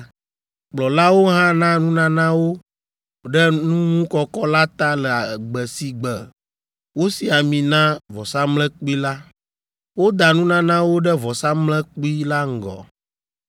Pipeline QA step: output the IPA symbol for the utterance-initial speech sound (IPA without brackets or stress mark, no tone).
k͡p